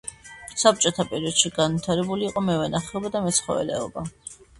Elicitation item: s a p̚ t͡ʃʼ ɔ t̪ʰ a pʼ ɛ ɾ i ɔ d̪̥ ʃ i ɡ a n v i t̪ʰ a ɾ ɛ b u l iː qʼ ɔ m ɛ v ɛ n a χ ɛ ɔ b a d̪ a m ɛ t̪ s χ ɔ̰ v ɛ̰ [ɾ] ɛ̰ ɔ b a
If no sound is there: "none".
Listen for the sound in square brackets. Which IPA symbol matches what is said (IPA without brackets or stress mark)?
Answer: l